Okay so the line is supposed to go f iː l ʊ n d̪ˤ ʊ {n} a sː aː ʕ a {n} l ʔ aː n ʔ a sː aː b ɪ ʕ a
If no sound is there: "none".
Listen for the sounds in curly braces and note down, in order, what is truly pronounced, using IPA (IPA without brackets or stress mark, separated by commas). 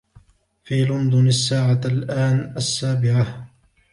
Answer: n, none